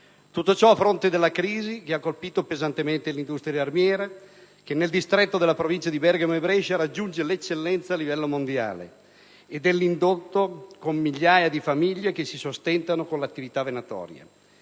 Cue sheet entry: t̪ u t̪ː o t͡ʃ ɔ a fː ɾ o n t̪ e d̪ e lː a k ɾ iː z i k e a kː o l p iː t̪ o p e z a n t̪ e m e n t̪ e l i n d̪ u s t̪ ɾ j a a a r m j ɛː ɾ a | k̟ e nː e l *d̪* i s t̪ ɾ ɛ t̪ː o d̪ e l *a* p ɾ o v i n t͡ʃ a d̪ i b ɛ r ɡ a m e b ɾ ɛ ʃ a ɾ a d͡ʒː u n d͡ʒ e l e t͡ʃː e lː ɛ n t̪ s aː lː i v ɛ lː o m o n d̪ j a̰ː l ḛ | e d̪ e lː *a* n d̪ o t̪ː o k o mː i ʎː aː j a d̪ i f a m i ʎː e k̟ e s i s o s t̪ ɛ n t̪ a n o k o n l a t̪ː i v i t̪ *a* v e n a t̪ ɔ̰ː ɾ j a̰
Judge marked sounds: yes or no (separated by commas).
yes, yes, no, yes